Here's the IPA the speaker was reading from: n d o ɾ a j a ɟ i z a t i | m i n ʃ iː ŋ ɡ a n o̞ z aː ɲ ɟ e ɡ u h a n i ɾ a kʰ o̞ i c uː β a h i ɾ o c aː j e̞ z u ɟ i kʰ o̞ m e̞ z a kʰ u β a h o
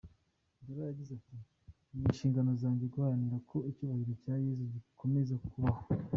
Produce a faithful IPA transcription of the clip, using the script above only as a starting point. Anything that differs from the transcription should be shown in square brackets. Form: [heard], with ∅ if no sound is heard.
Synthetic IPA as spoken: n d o ɾ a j a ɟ i z a t i | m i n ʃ iː ŋ ɡ a n o̞ z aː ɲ ɟ e ɡ u h a n i ɾ a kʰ o̞ i c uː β a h i ɾ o c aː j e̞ z u ɟ i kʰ o̞ m e̞ z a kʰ u β a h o